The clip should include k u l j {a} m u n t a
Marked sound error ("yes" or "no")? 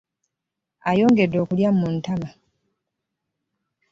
no